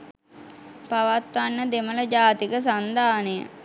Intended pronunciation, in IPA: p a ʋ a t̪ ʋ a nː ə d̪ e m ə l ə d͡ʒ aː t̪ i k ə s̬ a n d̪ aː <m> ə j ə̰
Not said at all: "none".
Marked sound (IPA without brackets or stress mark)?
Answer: n